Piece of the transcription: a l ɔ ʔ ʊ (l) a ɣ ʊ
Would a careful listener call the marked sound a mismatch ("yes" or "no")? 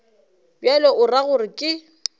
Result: yes